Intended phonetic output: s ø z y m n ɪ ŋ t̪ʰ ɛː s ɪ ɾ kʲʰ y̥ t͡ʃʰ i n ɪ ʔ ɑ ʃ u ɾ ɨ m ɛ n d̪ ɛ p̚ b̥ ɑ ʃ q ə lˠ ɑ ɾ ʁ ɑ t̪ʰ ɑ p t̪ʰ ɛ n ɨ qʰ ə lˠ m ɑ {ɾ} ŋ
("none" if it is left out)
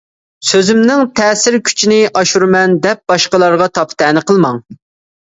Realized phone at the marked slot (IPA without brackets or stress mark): none